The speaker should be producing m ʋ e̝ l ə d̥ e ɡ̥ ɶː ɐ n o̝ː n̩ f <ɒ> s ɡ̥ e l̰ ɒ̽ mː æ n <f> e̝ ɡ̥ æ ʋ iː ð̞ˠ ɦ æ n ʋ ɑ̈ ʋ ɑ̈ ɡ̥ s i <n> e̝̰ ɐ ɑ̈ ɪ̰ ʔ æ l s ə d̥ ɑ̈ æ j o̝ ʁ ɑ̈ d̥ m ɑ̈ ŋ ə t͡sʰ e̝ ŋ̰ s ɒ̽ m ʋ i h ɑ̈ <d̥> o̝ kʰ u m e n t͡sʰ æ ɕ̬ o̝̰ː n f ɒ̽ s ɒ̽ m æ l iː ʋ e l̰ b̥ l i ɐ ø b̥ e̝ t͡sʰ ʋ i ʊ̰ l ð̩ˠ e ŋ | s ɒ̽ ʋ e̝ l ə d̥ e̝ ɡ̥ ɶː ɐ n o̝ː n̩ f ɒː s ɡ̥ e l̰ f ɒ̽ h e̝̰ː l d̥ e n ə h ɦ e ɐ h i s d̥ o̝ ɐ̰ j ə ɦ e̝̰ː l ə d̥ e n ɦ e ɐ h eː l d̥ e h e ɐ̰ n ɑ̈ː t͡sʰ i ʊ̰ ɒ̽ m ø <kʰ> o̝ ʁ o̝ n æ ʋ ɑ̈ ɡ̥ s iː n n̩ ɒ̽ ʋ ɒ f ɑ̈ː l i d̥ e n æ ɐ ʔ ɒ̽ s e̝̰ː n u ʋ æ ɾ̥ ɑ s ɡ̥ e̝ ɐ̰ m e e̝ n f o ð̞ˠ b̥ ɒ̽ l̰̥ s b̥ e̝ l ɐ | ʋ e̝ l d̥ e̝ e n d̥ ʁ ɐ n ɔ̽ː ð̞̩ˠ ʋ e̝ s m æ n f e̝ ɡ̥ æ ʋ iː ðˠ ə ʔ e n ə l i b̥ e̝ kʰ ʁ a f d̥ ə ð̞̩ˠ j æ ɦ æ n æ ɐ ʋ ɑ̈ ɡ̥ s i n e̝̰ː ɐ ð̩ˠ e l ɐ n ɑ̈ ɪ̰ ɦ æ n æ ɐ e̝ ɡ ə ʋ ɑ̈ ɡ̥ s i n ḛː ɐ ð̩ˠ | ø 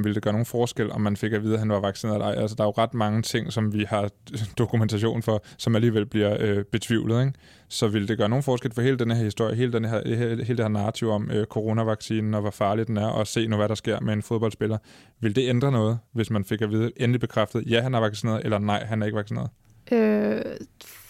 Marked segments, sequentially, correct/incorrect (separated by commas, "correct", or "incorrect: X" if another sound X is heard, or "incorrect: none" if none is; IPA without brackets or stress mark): incorrect: ɒː, correct, correct, correct, correct